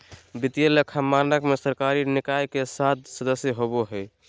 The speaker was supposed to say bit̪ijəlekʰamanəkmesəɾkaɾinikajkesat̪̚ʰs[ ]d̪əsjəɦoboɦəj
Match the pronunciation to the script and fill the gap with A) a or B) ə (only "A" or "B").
B